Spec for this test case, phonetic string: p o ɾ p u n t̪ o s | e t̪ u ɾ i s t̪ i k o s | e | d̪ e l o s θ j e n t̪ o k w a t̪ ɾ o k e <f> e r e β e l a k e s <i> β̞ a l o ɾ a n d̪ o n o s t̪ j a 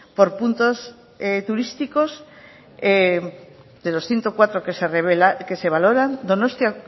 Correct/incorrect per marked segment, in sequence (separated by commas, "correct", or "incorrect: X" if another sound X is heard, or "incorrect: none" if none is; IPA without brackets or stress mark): incorrect: s, incorrect: e